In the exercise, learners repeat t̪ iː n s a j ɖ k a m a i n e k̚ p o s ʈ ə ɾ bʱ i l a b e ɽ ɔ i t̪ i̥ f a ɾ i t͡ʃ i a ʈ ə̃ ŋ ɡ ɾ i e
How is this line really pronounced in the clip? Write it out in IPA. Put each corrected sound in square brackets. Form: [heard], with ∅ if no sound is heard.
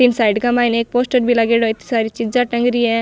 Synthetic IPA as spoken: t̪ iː n s a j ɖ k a m a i n e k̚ p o s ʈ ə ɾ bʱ i l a [ɡ] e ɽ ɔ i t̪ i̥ [s] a ɾ i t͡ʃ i a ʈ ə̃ ŋ ɡ ɾ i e